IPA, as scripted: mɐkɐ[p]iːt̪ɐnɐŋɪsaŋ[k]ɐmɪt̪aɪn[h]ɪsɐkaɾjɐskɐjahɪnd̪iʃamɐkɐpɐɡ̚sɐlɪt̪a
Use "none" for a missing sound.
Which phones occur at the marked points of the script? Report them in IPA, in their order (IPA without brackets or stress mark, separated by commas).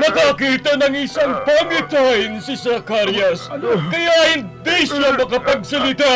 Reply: k, p, s